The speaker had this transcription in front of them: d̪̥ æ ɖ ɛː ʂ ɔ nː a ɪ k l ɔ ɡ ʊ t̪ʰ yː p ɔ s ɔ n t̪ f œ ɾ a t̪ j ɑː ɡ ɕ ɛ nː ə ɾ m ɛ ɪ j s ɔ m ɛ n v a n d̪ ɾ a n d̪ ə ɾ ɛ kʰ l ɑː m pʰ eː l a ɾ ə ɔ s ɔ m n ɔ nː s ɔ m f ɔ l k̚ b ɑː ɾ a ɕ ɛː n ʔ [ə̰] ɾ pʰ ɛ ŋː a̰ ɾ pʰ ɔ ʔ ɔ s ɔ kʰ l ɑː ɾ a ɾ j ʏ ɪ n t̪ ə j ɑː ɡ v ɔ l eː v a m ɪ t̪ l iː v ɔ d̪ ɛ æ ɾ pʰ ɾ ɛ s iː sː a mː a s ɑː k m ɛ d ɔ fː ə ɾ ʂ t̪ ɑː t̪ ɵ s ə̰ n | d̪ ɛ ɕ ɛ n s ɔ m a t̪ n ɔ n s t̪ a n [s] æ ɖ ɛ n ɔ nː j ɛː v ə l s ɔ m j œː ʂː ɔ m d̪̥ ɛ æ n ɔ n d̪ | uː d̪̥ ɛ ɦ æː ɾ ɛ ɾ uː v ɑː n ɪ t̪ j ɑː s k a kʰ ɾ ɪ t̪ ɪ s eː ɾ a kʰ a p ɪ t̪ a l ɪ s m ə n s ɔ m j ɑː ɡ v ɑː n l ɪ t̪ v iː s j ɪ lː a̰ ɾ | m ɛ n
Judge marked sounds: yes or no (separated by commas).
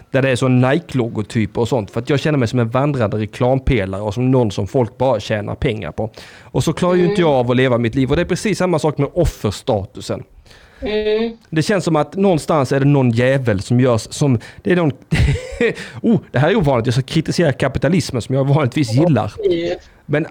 no, yes